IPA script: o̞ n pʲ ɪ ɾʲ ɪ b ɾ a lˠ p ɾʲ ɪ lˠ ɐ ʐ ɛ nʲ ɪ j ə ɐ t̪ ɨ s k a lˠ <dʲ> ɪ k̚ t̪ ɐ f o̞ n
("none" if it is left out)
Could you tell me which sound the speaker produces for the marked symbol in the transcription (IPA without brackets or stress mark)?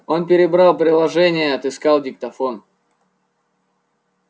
dʲ